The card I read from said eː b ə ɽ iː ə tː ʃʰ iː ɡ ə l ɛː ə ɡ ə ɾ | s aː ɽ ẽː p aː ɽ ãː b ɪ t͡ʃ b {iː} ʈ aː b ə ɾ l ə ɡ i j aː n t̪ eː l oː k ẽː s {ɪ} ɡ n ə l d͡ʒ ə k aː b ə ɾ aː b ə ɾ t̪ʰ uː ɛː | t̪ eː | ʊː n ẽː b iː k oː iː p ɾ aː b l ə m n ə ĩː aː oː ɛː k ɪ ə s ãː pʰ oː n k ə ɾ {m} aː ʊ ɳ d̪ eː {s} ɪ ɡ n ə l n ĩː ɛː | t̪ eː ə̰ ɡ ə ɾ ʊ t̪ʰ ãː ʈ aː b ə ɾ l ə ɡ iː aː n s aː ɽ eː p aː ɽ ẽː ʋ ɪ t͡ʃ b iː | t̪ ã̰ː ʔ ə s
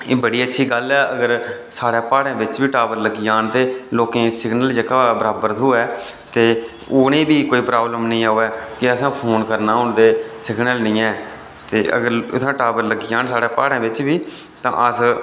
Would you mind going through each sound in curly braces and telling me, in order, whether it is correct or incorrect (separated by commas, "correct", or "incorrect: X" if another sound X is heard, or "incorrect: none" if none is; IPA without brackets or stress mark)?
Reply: correct, correct, incorrect: n, correct